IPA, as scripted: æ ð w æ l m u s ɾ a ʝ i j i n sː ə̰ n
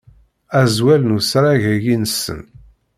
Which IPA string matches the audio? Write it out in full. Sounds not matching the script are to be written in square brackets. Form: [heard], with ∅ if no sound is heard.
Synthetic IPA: æ [z] w æ l [n] u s ɾ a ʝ [æ] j i n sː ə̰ n